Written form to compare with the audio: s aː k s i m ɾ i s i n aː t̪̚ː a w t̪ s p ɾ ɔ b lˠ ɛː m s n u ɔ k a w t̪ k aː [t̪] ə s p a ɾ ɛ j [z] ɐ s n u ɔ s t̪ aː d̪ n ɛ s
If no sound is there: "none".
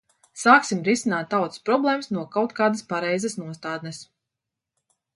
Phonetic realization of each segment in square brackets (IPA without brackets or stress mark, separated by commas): d̪, z